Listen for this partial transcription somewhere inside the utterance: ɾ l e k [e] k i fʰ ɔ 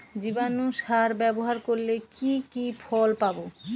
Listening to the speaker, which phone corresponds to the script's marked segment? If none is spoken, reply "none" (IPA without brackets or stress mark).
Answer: i